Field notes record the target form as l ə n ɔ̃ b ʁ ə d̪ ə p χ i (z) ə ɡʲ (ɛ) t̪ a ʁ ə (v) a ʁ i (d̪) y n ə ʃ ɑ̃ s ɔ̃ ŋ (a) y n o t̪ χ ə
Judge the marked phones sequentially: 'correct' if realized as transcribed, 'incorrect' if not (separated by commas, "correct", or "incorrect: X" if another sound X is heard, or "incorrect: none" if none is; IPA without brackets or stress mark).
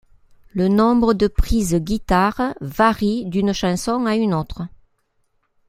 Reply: correct, incorrect: i, correct, correct, correct